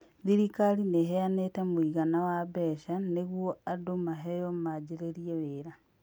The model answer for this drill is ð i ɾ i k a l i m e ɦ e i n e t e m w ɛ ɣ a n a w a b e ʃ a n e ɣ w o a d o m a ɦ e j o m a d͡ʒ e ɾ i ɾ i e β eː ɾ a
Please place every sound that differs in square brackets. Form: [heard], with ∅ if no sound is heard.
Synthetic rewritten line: ð i ɾ i k a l i [n] e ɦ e [a] n e t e m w [i] ɣ a n a w a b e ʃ a n e ɣ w o a d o m a ɦ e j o m a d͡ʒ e ɾ [e] ɾ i e β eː ɾ a